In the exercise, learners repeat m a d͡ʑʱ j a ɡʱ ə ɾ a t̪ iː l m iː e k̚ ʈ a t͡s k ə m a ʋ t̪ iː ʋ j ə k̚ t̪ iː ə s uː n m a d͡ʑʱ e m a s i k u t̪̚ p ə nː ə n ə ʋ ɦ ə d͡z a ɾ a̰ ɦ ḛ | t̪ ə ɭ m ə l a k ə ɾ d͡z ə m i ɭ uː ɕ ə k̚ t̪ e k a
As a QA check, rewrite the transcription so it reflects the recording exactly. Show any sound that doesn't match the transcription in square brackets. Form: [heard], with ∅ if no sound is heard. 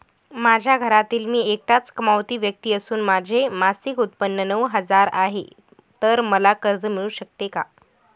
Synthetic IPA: m a d͡ʑʱ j a ɡʱ ə ɾ a t̪ iː l m iː e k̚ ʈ a t͡s k ə m a ʋ t̪ iː ʋ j ə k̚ t̪ iː ə s uː n m a d͡ʑʱ e m a s i k u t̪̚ p ə nː ə n ə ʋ ɦ ə d͡z a ɾ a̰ ɦ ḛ | t̪ ə [ɾ] m ə l a k ə ɾ d͡z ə m i ɭ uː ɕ ə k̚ t̪ e k a